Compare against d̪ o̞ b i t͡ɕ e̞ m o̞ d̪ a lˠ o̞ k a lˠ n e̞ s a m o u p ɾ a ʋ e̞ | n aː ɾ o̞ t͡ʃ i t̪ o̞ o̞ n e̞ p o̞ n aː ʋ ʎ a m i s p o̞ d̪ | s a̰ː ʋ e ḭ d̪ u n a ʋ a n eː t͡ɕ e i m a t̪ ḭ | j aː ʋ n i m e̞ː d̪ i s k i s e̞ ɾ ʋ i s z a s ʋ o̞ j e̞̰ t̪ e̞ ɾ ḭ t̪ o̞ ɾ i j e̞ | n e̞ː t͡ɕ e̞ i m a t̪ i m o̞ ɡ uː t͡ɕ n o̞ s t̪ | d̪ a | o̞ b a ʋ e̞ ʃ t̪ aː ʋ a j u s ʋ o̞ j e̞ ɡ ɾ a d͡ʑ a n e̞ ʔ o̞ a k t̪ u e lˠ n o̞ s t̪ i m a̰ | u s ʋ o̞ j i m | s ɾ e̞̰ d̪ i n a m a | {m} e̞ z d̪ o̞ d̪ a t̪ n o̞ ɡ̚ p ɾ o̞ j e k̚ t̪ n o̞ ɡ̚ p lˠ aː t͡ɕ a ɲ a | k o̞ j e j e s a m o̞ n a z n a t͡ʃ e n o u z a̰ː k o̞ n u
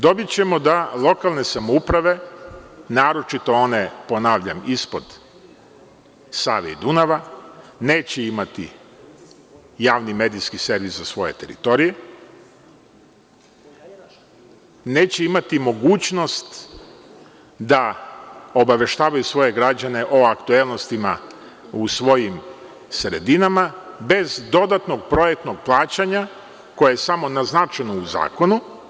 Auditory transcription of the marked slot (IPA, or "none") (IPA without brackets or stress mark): b